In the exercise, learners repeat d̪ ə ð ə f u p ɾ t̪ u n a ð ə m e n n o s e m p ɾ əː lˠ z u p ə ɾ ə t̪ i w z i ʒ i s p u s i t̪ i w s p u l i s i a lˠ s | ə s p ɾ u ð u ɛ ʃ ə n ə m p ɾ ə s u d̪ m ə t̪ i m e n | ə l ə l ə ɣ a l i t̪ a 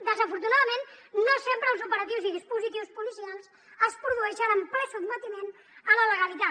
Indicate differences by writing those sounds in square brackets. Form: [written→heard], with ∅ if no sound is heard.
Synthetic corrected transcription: d̪ ə [ð→z] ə f u [p→∅] ɾ t̪ u n a ð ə m e n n o s e m p ɾ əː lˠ z u p ə ɾ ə t̪ i w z i [ʒ→ð] i s p u [s→z] i t̪ i w s p u l i s i a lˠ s | ə s p ɾ u ð u ɛ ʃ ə n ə m p ɾ ə s u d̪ m ə t̪ i m e n | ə l ə l ə ɣ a l i t̪ a